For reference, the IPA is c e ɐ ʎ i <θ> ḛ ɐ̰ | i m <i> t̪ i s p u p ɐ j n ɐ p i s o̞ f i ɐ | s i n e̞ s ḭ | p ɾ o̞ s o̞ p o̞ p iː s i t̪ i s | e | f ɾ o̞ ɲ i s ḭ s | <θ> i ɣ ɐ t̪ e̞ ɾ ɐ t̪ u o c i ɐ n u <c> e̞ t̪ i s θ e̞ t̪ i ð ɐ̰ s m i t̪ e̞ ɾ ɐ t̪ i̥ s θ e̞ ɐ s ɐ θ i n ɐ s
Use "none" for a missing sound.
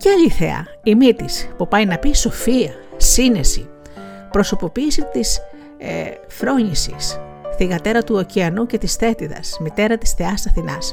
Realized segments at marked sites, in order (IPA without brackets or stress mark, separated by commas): θ, i, θ, c